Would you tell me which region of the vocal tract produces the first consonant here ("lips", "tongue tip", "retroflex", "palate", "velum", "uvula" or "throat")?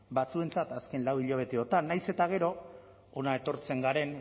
lips